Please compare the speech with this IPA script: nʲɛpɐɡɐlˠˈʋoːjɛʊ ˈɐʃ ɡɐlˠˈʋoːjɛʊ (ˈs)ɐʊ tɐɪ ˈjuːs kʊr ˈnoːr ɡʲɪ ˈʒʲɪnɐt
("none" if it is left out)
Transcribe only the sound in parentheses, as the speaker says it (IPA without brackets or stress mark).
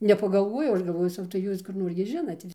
s